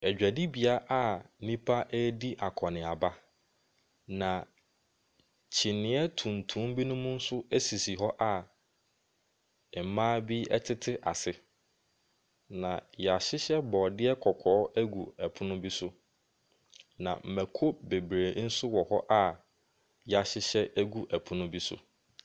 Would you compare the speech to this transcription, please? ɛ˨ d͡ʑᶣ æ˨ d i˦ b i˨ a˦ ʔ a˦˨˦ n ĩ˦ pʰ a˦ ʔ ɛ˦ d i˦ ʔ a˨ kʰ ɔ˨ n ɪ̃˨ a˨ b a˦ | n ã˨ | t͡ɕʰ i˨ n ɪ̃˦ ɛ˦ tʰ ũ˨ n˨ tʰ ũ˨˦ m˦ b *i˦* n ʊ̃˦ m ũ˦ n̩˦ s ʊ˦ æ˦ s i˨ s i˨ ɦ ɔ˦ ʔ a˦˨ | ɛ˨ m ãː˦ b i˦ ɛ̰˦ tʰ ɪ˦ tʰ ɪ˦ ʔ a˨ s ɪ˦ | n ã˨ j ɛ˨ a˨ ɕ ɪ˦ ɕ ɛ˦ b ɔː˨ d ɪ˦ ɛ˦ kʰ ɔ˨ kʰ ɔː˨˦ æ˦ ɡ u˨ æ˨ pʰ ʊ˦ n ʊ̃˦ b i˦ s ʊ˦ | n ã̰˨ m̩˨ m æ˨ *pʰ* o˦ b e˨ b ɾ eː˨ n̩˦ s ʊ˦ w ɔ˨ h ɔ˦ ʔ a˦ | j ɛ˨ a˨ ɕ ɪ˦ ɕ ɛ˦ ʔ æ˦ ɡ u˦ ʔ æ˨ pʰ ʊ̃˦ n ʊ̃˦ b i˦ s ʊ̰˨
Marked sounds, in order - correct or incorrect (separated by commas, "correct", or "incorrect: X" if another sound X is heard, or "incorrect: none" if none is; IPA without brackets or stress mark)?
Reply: correct, incorrect: kʰ